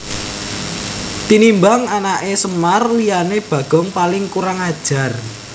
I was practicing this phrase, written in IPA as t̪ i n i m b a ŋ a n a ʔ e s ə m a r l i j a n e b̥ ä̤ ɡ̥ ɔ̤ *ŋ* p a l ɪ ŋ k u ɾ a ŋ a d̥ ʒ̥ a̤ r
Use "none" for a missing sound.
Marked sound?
ŋ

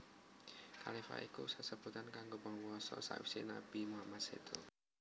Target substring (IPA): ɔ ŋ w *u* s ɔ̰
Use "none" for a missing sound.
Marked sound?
ɔ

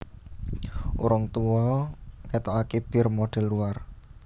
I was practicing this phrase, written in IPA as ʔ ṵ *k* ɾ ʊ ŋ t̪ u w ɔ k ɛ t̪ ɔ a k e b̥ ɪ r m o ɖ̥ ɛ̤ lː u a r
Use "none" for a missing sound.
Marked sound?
none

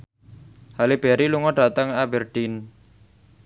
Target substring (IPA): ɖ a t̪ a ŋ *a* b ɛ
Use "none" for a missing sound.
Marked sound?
a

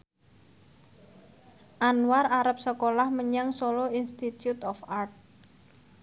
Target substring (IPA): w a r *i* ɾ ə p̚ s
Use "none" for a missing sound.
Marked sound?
a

